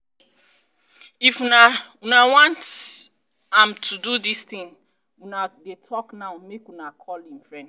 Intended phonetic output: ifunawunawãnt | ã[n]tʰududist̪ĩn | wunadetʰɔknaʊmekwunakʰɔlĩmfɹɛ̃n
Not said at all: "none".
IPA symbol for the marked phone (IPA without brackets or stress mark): m